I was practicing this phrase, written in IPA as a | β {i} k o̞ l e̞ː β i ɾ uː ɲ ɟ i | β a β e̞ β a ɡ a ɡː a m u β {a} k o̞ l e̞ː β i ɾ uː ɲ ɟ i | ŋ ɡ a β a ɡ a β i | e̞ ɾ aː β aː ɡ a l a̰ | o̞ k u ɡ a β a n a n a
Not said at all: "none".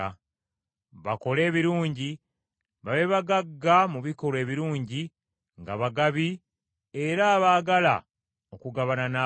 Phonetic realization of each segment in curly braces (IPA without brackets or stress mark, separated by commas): a, i